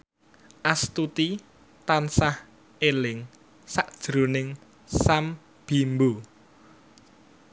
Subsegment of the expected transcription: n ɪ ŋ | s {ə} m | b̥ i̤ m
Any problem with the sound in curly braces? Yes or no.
yes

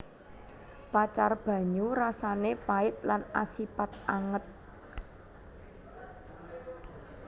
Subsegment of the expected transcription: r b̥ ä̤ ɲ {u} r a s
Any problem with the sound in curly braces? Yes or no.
no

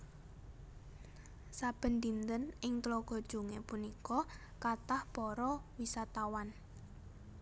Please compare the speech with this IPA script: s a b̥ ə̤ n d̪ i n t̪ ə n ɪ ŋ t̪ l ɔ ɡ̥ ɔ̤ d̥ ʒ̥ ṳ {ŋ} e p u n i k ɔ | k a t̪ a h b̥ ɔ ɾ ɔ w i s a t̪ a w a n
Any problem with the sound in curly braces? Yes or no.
no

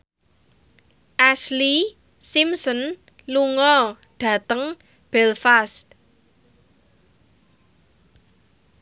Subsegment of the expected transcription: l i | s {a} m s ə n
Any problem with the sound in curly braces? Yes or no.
yes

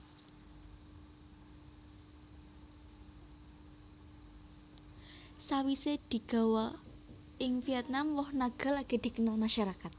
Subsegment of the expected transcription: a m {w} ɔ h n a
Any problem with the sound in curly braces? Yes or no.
no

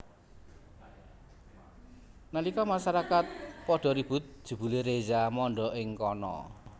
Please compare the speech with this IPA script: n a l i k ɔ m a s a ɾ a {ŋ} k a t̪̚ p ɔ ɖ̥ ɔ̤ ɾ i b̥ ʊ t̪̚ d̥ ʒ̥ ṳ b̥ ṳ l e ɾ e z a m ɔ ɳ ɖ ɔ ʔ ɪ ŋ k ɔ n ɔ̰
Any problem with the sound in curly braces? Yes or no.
yes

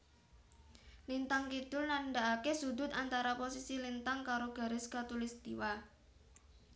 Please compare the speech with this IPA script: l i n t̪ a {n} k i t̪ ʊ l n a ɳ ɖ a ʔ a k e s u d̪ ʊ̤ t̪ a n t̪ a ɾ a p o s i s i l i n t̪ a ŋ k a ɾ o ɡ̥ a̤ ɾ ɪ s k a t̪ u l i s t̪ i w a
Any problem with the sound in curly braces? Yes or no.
yes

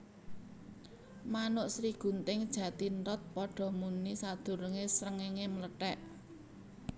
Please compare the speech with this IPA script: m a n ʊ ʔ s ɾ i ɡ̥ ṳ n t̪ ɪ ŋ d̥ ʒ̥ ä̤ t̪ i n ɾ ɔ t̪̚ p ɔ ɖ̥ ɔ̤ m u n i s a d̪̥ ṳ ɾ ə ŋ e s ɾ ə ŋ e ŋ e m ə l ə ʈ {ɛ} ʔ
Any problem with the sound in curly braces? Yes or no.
no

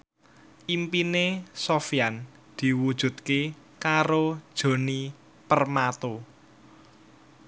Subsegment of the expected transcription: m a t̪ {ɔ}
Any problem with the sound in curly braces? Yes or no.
yes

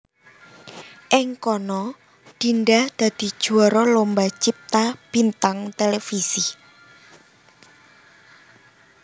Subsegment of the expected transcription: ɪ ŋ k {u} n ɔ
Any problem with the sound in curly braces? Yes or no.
yes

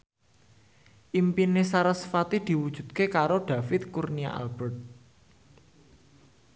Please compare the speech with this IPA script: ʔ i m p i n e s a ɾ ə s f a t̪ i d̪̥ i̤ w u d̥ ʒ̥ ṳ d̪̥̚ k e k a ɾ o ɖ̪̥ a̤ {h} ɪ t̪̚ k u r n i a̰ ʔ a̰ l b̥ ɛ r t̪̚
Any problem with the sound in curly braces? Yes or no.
yes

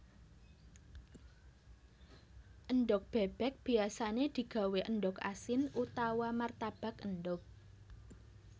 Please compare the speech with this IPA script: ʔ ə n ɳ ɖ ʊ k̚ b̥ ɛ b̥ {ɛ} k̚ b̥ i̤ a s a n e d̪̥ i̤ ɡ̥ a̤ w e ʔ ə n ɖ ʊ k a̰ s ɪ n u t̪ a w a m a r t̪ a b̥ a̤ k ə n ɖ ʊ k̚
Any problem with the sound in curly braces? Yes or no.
no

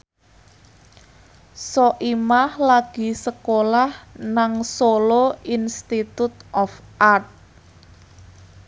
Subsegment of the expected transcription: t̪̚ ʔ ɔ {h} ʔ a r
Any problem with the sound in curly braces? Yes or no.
yes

